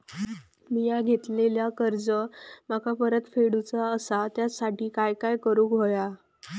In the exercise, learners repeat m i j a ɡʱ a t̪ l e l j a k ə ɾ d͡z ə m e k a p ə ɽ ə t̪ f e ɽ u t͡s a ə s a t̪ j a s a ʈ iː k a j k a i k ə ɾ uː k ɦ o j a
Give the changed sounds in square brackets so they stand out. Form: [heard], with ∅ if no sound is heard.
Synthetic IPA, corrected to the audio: m i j a ɡʱ [e] t̪ l e l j a k ə ɾ d͡z ə m [a] k a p ə [ɾ] ə t̪ f e ɽ u t͡s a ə s a t̪ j a s a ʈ iː k a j k a [j] k ə ɾ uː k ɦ o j a